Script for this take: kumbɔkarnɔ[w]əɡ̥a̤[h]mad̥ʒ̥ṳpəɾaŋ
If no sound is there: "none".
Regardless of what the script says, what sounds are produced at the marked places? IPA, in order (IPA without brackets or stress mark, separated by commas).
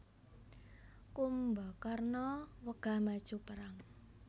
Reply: w, h